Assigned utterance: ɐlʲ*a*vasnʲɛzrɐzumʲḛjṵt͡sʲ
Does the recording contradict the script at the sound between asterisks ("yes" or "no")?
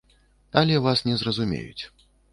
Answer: yes